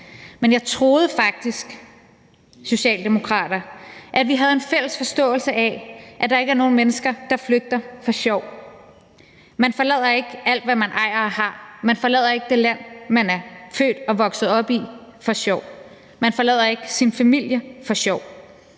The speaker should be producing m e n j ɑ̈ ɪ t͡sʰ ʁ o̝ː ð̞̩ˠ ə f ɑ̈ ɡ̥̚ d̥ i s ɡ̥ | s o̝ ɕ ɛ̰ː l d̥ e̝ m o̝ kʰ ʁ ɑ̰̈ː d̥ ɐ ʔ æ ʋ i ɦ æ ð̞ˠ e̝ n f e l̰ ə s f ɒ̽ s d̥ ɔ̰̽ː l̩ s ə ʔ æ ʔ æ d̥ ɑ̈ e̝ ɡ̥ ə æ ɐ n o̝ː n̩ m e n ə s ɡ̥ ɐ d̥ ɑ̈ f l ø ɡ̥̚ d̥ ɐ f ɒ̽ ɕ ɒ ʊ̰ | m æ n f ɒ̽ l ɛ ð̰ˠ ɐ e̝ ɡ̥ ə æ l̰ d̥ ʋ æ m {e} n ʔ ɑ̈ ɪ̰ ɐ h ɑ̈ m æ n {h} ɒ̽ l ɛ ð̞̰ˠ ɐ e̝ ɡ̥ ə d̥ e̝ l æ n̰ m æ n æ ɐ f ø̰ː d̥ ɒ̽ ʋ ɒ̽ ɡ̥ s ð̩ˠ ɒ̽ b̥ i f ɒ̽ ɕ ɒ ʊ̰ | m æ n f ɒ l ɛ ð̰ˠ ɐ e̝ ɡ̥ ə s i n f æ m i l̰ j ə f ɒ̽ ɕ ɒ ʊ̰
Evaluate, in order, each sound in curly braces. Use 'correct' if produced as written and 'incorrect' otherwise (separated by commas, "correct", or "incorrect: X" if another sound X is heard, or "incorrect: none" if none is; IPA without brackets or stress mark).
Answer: incorrect: æ, incorrect: f